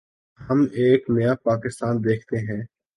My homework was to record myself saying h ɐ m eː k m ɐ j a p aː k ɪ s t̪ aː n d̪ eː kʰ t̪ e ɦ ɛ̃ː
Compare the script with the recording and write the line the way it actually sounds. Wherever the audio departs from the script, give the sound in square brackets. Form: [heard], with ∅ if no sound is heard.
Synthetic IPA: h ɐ m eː k [n] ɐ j a p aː k ɪ s t̪ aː n d̪ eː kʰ t̪ e ɦ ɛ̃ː